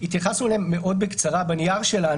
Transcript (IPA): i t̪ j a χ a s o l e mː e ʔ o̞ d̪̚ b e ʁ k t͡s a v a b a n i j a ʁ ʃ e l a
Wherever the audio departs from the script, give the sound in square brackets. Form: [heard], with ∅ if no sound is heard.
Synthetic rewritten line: i t̪ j a χ a s [u] l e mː e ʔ o̞ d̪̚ b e [∅] k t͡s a [ʁ] a b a n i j a ʁ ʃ e l a